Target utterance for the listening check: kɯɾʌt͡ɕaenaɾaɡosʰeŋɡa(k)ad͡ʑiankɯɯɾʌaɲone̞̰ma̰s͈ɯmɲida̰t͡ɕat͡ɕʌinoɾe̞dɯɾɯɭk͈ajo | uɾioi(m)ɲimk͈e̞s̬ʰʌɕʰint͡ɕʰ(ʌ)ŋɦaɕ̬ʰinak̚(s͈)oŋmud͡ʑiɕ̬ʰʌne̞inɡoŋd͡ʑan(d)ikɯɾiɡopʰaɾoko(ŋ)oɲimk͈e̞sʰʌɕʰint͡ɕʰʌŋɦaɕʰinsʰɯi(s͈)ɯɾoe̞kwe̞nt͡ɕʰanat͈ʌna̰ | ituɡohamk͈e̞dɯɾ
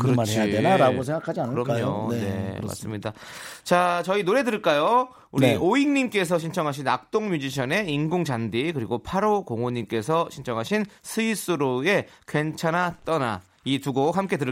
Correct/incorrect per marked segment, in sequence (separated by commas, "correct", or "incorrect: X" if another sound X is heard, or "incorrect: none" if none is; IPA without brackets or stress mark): incorrect: kʰ, incorrect: ŋ, correct, incorrect: t͈, correct, correct, correct